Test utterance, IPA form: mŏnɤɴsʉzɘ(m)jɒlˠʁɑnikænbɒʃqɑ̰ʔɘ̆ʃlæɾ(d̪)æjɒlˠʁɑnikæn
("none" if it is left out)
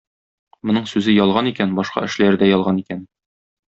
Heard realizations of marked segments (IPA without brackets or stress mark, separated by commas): none, d̪